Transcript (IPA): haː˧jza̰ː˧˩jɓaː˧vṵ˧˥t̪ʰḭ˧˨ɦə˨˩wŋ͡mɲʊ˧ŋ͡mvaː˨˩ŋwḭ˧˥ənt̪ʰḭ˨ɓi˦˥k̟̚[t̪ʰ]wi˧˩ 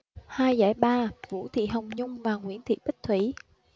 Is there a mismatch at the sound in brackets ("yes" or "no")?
no